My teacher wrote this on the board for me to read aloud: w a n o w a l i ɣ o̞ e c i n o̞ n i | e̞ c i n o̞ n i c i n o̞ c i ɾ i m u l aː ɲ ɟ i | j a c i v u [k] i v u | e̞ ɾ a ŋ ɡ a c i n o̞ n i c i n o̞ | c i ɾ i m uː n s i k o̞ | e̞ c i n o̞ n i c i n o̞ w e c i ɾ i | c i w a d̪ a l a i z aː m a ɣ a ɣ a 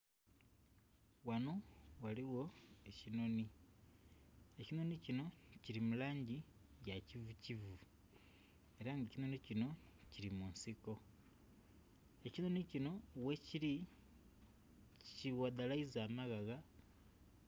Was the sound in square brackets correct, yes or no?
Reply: no